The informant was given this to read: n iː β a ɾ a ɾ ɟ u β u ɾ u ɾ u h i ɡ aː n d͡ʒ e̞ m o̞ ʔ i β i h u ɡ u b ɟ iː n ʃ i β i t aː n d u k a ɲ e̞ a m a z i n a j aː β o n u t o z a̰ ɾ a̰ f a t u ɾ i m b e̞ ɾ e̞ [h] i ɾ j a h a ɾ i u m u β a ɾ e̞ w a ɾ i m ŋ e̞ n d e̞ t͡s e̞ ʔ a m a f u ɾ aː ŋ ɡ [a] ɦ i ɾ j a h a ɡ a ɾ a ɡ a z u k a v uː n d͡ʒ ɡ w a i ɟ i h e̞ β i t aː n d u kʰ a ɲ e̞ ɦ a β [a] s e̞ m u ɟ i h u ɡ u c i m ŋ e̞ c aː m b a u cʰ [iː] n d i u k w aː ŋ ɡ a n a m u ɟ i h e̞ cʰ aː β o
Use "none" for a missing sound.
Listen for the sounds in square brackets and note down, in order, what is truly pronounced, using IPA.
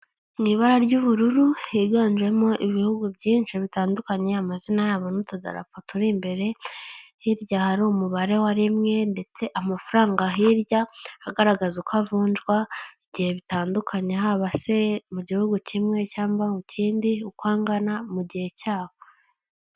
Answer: h, a, a, iː

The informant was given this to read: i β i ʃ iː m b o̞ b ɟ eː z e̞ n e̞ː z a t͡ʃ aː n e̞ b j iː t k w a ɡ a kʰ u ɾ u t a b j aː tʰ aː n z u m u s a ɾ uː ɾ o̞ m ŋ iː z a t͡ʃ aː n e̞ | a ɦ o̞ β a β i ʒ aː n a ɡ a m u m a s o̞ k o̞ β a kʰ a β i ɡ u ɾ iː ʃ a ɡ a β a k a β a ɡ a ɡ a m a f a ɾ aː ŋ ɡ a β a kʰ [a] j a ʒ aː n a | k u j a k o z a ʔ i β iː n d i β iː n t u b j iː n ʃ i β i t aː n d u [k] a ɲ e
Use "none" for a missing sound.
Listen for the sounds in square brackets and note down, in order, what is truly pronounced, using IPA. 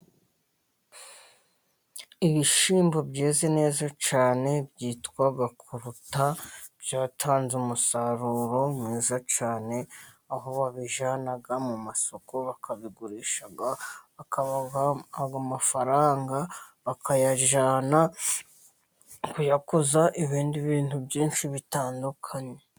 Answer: a, kʰ

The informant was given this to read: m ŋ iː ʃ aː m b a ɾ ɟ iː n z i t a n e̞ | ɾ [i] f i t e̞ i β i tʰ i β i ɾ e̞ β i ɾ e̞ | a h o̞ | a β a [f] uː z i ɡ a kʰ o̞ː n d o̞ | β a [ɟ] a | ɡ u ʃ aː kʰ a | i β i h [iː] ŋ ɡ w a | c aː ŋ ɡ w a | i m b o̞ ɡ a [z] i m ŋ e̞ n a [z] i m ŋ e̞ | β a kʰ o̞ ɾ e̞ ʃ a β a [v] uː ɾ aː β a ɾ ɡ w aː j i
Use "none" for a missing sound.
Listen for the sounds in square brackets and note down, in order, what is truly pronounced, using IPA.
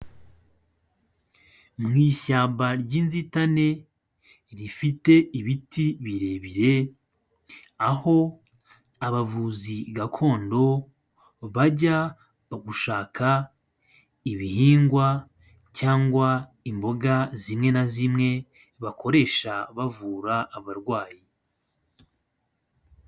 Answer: i, v, ɟ, iː, z, z, v

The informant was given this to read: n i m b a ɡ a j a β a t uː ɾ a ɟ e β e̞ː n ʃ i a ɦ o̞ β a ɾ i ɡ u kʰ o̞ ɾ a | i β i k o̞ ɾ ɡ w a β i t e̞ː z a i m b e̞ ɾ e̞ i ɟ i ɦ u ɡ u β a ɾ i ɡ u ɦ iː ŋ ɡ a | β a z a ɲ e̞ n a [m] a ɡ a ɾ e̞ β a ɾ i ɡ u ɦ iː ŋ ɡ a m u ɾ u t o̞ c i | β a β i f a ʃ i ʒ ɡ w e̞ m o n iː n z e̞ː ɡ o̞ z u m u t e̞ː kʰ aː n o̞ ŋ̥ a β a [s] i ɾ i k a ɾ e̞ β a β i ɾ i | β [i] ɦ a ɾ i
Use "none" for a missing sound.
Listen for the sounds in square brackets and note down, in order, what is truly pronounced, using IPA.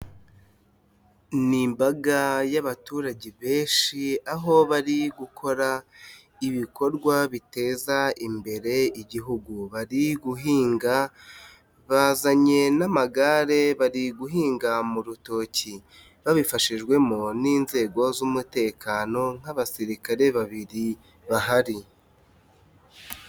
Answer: m, s, a

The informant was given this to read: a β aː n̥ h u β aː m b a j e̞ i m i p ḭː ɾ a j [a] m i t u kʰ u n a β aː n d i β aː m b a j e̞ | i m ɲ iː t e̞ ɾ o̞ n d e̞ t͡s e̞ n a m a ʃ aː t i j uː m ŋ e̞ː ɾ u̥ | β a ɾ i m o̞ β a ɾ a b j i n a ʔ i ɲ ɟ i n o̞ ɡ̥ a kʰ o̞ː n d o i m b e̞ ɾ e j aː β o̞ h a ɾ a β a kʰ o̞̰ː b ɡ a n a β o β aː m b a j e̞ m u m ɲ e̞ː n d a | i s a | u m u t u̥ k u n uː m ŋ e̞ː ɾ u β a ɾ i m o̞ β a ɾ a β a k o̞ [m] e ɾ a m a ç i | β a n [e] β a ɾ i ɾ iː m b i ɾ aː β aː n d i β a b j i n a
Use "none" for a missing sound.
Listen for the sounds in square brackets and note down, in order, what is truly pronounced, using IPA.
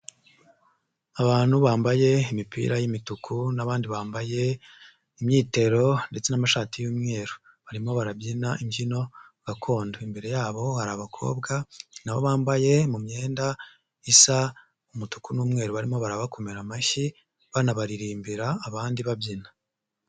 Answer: i, m, a

